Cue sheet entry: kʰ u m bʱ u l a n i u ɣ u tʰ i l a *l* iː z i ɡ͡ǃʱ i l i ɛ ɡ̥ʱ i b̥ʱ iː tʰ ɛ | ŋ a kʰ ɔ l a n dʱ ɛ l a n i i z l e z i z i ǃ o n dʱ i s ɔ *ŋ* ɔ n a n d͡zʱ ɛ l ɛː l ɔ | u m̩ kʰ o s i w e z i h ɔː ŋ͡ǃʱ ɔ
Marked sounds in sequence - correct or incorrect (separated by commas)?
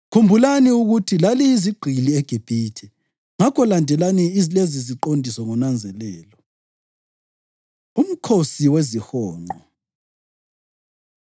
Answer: correct, correct